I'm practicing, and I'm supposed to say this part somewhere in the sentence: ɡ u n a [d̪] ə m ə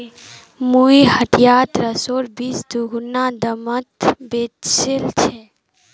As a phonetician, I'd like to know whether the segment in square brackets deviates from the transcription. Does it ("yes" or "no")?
no